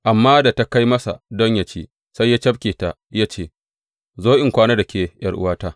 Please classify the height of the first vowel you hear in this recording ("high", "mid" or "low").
low